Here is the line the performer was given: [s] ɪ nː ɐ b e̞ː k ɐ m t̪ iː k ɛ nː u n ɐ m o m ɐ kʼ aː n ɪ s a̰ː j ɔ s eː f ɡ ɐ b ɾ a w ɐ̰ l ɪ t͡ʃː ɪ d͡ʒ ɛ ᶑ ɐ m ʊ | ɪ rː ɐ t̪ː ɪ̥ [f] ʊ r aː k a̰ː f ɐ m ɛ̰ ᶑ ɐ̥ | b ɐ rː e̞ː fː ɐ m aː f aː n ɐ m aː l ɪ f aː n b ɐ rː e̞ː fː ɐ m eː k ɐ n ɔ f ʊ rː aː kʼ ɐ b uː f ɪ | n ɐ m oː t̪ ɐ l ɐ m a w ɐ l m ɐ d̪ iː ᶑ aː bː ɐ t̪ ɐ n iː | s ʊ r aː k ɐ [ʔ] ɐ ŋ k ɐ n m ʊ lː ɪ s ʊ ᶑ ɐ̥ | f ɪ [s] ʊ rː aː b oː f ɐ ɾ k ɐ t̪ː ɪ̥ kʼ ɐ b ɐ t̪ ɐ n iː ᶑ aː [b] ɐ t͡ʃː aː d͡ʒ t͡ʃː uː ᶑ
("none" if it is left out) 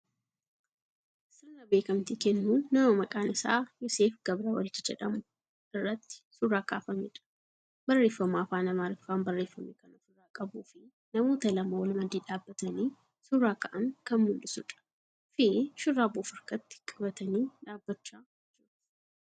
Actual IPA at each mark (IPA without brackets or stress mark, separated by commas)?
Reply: s, s, ʔ, ʃ, bː